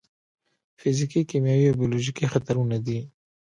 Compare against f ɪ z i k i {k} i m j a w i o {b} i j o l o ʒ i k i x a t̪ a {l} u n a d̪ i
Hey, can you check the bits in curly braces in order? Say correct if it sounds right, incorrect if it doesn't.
correct, correct, incorrect

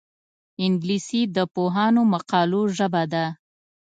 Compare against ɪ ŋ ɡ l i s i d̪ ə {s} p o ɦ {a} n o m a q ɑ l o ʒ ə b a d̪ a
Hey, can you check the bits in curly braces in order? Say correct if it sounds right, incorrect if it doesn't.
incorrect, incorrect

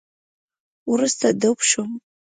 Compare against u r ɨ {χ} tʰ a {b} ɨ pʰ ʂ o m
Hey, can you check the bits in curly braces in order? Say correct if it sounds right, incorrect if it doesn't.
incorrect, incorrect

